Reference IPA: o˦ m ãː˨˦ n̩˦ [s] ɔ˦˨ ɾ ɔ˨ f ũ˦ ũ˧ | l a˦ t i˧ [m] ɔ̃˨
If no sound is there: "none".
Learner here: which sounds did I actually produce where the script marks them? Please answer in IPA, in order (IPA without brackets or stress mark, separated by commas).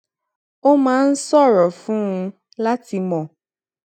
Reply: s, m